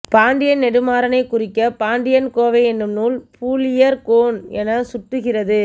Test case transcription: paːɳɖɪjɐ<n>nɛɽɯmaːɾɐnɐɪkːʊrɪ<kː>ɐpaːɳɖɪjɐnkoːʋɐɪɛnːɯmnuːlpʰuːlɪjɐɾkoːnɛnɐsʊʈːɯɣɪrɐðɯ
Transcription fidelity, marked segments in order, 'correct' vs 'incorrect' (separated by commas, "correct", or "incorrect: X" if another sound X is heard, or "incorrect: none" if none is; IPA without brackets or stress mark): correct, correct